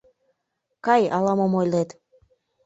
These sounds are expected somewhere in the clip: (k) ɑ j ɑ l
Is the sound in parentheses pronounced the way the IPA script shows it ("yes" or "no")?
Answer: yes